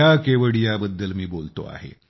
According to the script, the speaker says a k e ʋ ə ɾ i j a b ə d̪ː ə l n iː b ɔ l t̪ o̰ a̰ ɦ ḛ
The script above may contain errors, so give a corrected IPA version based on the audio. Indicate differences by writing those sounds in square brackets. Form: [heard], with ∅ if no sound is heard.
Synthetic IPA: a k e ʋ ə [ɽ] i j a b ə d̪ː ə l [m] iː b [o] l t̪ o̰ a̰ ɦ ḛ